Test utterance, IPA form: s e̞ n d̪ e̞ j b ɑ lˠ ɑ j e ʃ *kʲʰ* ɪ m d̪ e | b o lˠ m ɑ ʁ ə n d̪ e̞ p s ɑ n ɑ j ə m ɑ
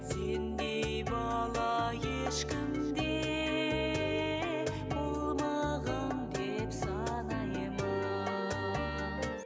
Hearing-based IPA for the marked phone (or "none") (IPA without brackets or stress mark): kʲ